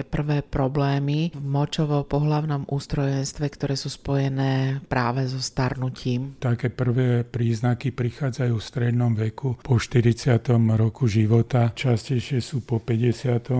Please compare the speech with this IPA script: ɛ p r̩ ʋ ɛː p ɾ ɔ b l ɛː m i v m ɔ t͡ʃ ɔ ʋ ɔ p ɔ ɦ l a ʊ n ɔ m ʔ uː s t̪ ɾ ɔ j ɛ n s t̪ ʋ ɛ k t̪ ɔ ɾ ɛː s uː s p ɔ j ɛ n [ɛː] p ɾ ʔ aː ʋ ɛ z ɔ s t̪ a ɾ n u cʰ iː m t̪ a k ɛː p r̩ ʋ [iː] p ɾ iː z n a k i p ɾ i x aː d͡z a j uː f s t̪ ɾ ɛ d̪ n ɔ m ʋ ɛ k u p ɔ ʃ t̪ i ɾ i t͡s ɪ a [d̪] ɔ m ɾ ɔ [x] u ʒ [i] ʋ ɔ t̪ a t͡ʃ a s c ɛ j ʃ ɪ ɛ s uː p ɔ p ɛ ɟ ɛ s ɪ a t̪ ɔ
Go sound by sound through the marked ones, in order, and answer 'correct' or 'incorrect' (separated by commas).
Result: correct, incorrect, incorrect, incorrect, correct